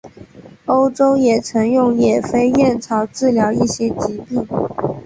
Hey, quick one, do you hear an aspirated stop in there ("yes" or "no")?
yes